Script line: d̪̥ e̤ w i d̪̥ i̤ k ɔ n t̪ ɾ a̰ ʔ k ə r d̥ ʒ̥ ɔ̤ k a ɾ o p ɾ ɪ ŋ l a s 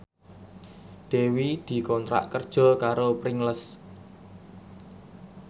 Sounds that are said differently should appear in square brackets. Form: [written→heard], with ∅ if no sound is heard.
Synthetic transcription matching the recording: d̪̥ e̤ w i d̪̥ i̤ k ɔ n t̪ ɾ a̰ ʔ k ə r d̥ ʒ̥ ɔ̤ k a ɾ o p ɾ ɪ ŋ l [a→ə] s

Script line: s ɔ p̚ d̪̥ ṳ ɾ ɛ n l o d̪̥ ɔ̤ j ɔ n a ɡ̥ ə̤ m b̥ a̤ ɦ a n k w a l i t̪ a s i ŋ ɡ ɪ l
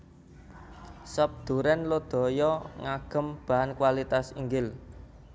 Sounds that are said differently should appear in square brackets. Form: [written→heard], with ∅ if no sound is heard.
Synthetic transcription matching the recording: s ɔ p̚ d̪̥ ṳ ɾ ɛ n l o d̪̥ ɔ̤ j ɔ [n→ŋ] a ɡ̥ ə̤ m b̥ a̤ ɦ a n k w a l i t̪ a s i ŋ ɡ ɪ l

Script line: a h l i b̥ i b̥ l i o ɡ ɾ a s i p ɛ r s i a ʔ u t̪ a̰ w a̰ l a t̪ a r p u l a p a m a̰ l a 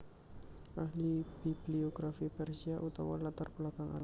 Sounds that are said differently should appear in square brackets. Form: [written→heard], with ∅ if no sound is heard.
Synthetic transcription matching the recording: a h l i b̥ i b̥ l i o ɡ ɾ a [s→f] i p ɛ r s i a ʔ u t̪ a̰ w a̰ l a t̪ a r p u l a [p→k] a [m→ŋ] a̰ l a

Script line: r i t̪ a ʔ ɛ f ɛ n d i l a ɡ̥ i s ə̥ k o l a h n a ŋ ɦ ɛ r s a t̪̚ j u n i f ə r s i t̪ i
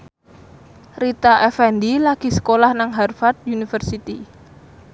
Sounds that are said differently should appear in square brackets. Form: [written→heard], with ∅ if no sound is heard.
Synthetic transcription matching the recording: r i t̪ a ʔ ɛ f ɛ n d i l a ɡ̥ i s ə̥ k o l a h n a ŋ ɦ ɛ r [s→f] a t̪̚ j u n i f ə r s i t̪ i

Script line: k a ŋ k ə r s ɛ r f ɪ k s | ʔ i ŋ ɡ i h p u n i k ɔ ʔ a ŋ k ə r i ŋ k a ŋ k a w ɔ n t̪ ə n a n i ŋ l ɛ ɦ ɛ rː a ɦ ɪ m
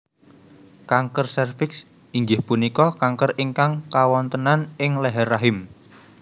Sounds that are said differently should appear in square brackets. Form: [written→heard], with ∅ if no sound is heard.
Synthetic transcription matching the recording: k a ŋ k ə r s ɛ r f ɪ k s | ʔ i ŋ ɡ [i→ɪ] h p u n i k ɔ [ʔ→k] a ŋ k ə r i ŋ k a ŋ k a w ɔ n t̪ ə n a n [i→ɪ] ŋ l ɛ ɦ ɛ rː a ɦ ɪ m

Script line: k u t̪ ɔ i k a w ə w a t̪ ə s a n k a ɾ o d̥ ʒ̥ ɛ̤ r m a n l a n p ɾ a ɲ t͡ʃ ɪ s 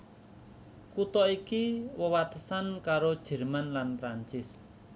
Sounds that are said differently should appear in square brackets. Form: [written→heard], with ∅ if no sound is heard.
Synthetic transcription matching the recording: k u t̪ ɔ i k [a→i] w ə w a t̪ ə s a n k a ɾ o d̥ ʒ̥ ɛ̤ r m a n l a n p ɾ a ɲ t͡ʃ ɪ s

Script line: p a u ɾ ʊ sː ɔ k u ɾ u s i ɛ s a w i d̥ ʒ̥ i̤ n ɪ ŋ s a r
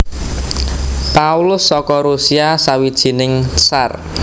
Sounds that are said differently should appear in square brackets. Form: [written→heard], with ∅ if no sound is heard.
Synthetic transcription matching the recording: p a u [ɾ→l] ʊ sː ɔ k [u→ɔ] ɾ u s i [ɛ→a] s a w i d̥ ʒ̥ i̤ n ɪ ŋ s a r

